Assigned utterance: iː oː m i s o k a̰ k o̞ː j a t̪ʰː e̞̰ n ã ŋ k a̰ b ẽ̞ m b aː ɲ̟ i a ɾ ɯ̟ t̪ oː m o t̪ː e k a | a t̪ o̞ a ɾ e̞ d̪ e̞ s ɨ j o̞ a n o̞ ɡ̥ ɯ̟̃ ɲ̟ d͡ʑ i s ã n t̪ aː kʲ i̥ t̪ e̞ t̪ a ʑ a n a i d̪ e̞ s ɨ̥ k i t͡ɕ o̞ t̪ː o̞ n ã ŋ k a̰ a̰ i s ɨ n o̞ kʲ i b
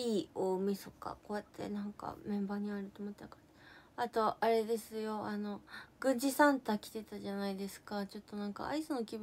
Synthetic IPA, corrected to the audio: iː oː m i s o k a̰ k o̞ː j a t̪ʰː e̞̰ n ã ŋ k a̰ m ẽ̞ m b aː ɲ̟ i a ɾ ɯ̟ t̪ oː m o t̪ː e k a | a t̪ o̞ a ɾ e̞ d̪ e̞ s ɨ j o̞ a n o̞ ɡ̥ ɯ̟̃ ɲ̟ d͡ʑ i s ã n t̪ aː kʲ i̥ t̪ e̞ t̪ a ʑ a n a i d̪ e̞ s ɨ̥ k a t͡ɕ o̞ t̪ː o̞ n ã ŋ k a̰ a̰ i s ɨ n o̞ kʲ i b